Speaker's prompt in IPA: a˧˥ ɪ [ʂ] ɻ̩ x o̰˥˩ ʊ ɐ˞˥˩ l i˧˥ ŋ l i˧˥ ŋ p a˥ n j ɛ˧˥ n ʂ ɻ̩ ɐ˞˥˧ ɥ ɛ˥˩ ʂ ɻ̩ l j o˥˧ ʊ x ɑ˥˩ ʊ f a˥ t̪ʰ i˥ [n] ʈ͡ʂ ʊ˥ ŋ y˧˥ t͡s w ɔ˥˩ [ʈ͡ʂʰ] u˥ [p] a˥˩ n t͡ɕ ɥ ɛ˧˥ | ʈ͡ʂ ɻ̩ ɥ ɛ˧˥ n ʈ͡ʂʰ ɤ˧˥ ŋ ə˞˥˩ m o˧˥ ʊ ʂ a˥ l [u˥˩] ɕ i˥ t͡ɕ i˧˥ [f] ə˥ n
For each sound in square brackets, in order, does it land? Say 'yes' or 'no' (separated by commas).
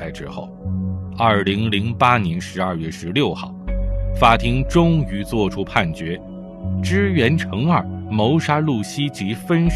no, no, yes, no, yes, yes